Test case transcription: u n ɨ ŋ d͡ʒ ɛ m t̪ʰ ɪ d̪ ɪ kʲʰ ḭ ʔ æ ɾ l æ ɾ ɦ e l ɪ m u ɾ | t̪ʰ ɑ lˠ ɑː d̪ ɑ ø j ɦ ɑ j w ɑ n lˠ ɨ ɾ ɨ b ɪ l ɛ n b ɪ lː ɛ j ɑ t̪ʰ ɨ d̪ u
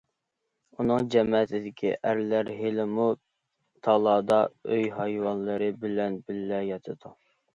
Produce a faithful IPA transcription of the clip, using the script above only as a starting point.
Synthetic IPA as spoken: u n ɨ ŋ d͡ʒ ɛ m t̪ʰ ɪ d̪ ɪ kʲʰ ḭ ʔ æ ɾ l æ ɾ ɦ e l ɪ m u | t̪ʰ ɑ lˠ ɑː d̪ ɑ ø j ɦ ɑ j w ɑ n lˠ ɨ ɾ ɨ b ɪ l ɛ n b ɪ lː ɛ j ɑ t̪ʰ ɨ d̪ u